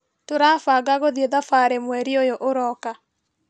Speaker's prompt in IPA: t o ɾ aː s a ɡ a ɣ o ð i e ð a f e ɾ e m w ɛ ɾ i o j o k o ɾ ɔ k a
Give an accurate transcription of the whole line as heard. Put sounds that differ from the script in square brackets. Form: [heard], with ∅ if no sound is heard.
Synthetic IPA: t o ɾ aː [f] a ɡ a ɣ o ð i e ð a f [a] ɾ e m w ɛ ɾ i o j o [ʔ] o ɾ ɔ k a